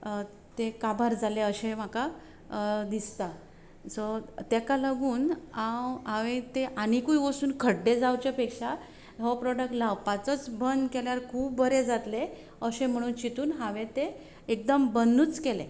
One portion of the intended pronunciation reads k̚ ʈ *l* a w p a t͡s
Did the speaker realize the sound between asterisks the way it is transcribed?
yes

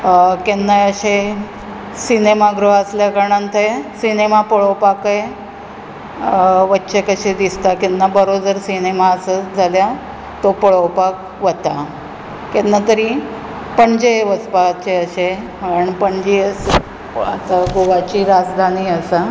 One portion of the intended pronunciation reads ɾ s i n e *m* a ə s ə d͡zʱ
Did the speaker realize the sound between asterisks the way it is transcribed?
yes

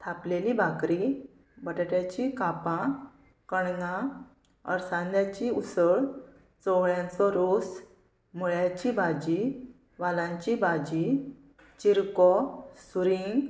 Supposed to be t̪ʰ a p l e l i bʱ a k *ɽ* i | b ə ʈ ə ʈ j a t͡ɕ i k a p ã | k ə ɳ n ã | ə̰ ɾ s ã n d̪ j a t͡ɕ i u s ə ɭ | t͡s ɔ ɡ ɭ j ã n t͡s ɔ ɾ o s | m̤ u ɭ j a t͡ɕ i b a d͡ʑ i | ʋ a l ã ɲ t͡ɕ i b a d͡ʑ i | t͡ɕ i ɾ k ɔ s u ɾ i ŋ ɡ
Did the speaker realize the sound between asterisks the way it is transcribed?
no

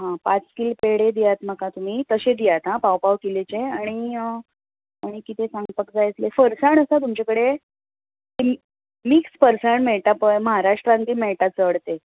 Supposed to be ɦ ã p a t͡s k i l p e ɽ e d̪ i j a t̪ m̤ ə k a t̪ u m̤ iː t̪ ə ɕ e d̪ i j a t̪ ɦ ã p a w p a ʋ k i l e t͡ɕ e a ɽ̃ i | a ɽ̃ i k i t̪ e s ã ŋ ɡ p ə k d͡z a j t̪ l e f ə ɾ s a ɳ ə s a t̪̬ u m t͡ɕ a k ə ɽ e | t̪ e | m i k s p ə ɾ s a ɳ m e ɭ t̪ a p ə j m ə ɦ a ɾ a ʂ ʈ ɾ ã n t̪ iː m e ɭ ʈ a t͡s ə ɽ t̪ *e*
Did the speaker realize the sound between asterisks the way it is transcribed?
yes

